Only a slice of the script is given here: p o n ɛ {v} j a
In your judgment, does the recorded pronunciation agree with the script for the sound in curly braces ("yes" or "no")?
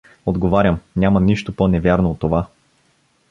yes